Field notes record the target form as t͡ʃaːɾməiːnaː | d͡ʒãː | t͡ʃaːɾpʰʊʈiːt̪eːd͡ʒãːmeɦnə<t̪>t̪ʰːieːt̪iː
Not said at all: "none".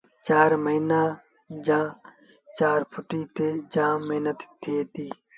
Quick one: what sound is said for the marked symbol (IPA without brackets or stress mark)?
t̪